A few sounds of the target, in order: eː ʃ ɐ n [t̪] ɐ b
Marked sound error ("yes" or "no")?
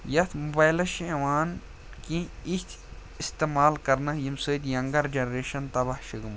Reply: no